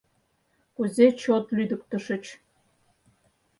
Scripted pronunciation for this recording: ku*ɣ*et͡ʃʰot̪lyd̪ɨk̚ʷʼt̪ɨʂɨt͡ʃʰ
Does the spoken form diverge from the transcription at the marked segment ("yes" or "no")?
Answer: yes